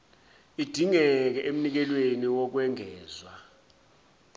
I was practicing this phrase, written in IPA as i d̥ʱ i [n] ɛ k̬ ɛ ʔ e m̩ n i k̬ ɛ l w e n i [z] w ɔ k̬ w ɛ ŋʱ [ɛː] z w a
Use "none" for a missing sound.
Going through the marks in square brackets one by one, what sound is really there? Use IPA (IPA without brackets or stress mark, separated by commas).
ŋ, none, ɛː